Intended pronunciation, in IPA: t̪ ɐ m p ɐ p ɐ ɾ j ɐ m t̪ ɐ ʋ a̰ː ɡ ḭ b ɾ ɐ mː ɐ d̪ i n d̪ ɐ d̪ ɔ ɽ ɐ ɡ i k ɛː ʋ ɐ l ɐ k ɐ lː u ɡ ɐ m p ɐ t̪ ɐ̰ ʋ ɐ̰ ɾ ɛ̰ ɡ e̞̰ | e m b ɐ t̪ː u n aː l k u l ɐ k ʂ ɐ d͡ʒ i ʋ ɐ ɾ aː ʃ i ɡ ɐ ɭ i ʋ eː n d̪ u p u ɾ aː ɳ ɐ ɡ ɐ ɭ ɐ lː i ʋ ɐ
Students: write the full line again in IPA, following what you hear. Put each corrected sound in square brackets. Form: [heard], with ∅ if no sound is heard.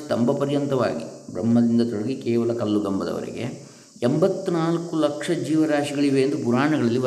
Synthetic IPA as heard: t̪ ɐ m [b] ɐ p ɐ ɾ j ɐ [n] t̪ ɐ ʋ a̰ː ɡ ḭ b ɾ ɐ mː ɐ d̪ i n d̪ ɐ [t̪] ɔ ɽ ɐ ɡ i k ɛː ʋ ɐ l ɐ k ɐ lː u ɡ ɐ m [b] ɐ [d̪] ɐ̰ ʋ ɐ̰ ɾ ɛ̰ ɡ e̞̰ | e m b ɐ t̪ː u n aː l k u l ɐ k ʂ ɐ d͡ʒ [iː] ʋ ɐ ɾ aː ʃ i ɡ ɐ ɭ i ʋ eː n d̪ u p u ɾ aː ɳ ɐ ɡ ɐ ɭ ɐ lː i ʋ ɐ